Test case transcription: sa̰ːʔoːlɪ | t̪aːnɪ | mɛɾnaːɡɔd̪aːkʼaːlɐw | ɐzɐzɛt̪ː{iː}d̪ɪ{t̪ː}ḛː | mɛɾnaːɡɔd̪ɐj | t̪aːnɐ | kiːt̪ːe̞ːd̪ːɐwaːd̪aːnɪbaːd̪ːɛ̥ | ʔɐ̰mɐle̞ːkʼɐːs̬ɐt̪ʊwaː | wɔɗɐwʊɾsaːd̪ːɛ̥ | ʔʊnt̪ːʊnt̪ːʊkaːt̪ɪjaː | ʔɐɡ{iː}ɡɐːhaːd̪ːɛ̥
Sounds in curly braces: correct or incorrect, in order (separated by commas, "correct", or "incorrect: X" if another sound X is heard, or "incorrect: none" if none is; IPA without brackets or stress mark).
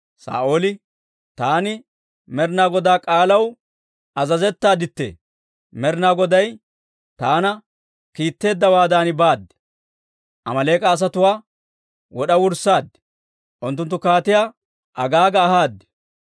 incorrect: aː, correct, incorrect: aː